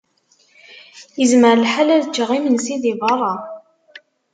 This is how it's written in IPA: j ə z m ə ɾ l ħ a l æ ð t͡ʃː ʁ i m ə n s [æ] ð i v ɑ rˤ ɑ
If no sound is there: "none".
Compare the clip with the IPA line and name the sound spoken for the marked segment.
i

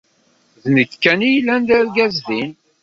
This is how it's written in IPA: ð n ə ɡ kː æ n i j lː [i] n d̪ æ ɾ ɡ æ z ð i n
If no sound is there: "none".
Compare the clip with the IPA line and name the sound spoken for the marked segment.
æ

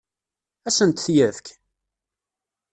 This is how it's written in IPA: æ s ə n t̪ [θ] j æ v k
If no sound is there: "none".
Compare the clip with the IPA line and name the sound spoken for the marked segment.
θ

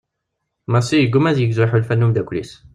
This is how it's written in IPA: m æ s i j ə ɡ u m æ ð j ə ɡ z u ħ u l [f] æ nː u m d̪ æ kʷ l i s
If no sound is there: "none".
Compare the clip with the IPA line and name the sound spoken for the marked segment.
f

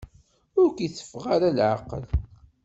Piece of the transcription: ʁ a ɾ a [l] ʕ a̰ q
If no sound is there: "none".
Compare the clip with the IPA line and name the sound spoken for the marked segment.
l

